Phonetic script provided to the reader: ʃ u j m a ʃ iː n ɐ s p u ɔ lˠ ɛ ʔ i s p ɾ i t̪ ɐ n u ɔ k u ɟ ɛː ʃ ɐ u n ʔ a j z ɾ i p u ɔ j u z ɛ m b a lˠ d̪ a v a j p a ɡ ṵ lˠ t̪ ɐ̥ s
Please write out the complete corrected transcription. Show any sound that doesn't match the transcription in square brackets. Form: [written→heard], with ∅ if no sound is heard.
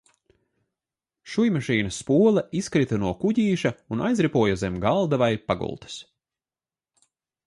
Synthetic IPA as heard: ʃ u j m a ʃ iː n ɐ s p u ɔ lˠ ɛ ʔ i s [p→k] ɾ i t̪ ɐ n u ɔ k u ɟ [ɛː→iː] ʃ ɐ u n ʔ a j z ɾ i p u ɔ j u z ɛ m [b→ɡ] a lˠ d̪ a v a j p a ɡ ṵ lˠ t̪ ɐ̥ s

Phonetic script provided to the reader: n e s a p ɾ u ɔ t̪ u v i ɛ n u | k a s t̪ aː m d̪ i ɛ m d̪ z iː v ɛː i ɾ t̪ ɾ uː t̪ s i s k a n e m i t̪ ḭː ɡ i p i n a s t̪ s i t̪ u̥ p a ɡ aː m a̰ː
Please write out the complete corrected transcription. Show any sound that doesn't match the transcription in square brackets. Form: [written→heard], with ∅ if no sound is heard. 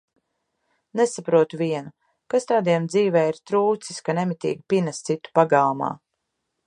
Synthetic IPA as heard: n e s a p ɾ u ɔ t̪ u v i ɛ n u | k a s t̪ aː [m→∅] d̪ i ɛ m d̪ z iː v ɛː i ɾ t̪ ɾ uː t̪ s i s k a n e m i t̪ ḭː ɡ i p i n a s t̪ s i t̪ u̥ p a ɡ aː m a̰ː

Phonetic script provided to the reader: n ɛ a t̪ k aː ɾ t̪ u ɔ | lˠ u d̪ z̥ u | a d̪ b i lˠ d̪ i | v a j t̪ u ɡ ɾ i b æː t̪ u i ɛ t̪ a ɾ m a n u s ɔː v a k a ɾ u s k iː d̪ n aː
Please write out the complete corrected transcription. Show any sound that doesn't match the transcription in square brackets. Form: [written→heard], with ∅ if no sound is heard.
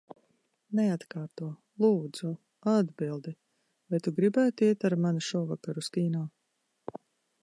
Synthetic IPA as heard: n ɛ a t̪ k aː ɾ t̪ u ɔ | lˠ [u→uː] d̪ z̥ u | a d̪ b i lˠ d̪ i | v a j t̪ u ɡ ɾ i b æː t̪ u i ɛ t̪ a ɾ m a n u [s→ʃ] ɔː v a k a ɾ u s k iː [d̪→∅] n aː

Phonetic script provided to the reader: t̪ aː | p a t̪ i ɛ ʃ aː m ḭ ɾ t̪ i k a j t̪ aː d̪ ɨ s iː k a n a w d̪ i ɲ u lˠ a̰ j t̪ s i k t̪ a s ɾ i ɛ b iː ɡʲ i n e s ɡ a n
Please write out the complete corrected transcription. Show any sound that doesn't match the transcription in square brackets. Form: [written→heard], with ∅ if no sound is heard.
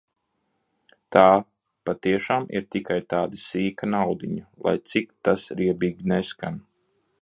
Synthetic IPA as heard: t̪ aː | p a t̪ i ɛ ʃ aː m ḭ ɾ t̪ i k a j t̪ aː d̪ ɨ s iː k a n a w d̪ i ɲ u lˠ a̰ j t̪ s i k t̪ a s ɾ i ɛ b iː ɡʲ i n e s [ɡ→k] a n

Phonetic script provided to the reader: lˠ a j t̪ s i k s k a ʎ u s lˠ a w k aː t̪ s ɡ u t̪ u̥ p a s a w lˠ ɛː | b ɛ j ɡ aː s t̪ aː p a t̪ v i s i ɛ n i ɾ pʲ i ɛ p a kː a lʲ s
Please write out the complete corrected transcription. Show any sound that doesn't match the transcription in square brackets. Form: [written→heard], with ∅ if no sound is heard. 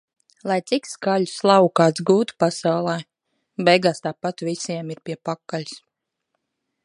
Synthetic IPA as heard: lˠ a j t̪ s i k s k a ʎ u s lˠ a w k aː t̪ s ɡ [u→uː] t̪ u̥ p a s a w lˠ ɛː | b ɛ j ɡ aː s t̪ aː p a t̪ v i s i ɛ [n→m] i ɾ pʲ i ɛ p a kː a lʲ s

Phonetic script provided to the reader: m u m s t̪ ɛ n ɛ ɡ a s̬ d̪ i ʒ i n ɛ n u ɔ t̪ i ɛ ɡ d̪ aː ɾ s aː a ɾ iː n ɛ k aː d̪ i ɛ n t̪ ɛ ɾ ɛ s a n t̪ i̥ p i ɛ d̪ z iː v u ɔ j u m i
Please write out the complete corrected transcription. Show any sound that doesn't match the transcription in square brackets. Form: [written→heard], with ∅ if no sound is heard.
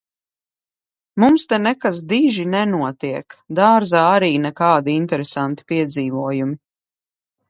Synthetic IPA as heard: m u m s t̪ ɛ n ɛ [ɡ→k] a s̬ d̪ i ʒ i n ɛ n u ɔ t̪ i ɛ [ɡ→k] d̪ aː ɾ [s→z] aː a ɾ iː n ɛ k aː d̪ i [ɛ→i] n t̪ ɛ ɾ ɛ s a n t̪ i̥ p i ɛ d̪ z iː v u ɔ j u m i

